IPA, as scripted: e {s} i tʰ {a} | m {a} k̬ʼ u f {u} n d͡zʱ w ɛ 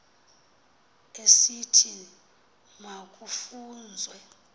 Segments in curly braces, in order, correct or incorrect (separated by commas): correct, incorrect, correct, incorrect